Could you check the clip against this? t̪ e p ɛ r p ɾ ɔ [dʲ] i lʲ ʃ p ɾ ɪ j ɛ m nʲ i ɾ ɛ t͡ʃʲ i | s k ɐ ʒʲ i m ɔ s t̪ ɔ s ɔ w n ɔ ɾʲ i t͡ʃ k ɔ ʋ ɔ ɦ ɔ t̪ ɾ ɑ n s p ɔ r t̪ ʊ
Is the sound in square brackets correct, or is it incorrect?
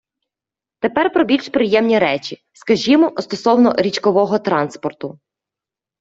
incorrect